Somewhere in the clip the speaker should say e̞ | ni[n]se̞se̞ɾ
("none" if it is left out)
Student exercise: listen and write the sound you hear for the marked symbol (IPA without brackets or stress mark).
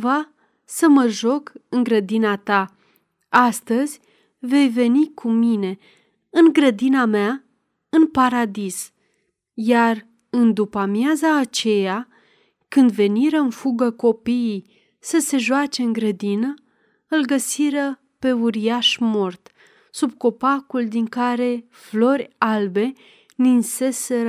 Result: n